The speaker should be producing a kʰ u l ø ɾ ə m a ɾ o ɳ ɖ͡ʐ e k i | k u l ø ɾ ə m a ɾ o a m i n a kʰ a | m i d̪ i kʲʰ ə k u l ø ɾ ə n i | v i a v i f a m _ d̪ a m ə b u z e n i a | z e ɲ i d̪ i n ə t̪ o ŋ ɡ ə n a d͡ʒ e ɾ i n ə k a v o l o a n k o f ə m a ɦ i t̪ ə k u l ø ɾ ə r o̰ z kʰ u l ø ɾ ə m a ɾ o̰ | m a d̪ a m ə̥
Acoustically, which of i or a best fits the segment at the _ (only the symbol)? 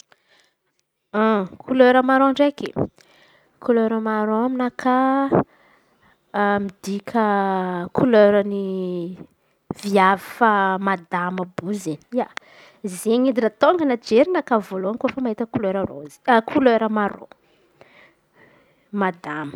a